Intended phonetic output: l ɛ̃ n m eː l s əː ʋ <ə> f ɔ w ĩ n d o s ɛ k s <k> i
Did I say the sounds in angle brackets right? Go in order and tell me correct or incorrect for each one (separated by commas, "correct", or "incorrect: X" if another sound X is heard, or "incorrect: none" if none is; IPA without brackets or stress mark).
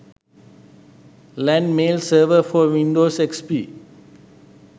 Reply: correct, incorrect: p